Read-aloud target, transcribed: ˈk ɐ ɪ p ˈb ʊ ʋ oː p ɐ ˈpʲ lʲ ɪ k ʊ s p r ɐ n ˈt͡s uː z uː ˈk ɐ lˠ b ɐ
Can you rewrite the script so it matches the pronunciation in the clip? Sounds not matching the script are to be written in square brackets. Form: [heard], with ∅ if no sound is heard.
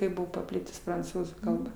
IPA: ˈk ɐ ɪ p ˈb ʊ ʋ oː p ɐ ˈpʲ lʲ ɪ [t] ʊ s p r ɐ n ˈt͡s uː z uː ˈk ɐ lˠ b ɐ